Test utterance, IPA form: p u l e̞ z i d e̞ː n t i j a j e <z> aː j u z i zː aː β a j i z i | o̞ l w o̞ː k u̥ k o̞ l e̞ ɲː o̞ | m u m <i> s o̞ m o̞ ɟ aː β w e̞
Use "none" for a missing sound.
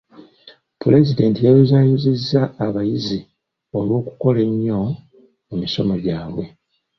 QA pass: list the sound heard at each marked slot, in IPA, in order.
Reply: z, i

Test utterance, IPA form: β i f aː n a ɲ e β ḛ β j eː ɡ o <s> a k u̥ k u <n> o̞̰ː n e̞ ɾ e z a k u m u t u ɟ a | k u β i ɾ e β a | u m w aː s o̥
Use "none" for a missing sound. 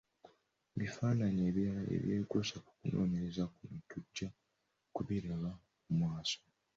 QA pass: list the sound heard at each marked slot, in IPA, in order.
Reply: s, n

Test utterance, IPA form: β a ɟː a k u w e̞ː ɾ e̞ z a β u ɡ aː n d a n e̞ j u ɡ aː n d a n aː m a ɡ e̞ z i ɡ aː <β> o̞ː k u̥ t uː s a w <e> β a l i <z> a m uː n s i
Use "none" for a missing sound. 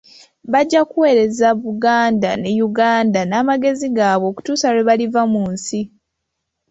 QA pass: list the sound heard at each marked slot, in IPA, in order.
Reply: β, e, v

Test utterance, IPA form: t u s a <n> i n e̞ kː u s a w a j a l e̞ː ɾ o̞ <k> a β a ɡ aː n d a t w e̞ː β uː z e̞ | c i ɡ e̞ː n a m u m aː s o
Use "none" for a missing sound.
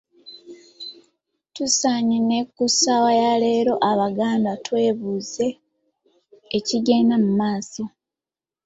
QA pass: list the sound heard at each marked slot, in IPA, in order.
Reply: ɲ, ʔ

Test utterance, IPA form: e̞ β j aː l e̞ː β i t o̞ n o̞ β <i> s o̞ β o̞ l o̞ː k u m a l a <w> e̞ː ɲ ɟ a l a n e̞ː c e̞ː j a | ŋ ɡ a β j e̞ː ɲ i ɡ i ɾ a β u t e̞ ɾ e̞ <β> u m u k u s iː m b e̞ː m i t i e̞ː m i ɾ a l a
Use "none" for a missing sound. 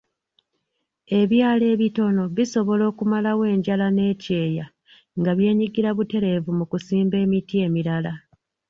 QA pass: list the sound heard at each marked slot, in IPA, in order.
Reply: i, w, v

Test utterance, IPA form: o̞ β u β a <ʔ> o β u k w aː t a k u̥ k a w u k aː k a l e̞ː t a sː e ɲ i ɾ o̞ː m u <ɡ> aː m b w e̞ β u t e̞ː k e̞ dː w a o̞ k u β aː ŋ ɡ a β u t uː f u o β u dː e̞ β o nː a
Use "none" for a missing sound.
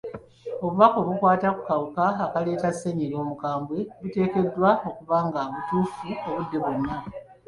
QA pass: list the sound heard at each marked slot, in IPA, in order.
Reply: k, k

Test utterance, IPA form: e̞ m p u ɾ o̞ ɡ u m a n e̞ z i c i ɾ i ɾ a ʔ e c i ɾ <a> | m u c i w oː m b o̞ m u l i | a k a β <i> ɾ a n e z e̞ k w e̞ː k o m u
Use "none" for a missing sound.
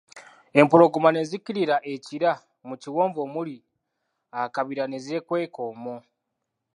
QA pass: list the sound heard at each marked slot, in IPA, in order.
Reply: a, i

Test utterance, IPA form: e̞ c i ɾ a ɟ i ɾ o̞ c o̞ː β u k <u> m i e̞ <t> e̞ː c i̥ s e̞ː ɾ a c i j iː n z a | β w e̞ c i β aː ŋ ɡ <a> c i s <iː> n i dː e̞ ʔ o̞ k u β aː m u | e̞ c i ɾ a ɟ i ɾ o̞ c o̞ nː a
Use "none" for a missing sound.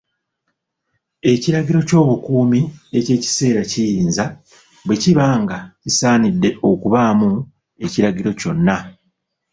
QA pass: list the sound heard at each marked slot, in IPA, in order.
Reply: uː, c, a, aː

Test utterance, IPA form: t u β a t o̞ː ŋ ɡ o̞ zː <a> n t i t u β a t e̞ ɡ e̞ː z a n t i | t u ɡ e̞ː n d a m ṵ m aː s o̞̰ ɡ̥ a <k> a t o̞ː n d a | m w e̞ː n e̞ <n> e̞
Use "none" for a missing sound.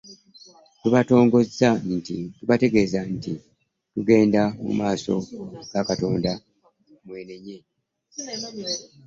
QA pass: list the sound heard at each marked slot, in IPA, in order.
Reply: a, k, ɲ

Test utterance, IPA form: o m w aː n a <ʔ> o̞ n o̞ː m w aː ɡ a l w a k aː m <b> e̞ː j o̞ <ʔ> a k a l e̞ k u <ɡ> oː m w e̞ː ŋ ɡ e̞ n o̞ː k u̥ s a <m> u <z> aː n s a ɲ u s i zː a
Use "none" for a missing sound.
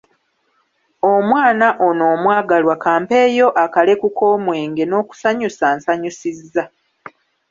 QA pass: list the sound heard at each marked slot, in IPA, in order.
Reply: ʔ, p, ʔ, k, ɲ, s

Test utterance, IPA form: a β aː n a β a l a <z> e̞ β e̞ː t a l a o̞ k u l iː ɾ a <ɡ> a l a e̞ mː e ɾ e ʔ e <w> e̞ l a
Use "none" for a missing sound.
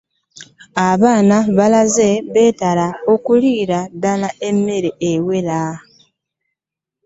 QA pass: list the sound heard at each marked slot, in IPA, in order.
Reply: z, d, w

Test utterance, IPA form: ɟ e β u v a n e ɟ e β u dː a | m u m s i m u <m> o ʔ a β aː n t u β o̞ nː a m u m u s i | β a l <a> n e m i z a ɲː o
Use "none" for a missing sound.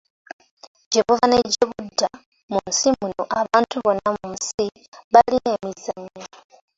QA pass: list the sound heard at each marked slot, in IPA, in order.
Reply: n, i

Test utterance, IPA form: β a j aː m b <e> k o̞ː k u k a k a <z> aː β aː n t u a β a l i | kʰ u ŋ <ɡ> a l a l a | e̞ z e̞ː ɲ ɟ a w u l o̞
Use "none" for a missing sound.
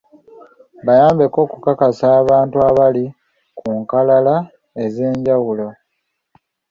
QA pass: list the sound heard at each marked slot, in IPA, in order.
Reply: e, s, k

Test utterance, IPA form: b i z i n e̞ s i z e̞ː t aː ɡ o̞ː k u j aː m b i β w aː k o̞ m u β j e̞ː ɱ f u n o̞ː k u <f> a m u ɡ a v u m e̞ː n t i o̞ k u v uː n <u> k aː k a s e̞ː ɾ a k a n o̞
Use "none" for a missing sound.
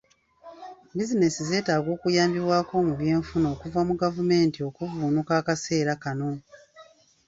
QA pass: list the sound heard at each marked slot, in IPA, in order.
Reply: v, u

